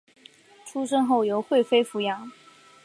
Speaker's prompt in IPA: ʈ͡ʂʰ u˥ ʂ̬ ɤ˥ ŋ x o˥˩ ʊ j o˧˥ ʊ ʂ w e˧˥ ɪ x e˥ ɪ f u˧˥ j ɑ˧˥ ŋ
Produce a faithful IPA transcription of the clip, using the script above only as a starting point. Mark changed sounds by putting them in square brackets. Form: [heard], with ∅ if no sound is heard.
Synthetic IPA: ʈ͡ʂʰ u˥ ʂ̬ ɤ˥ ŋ x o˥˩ ʊ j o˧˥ ʊ [x] w [e˥˩] ɪ [f] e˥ ɪ f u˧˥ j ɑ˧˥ ŋ